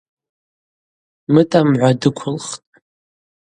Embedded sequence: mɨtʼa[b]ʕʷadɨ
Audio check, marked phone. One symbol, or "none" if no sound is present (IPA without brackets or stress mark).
m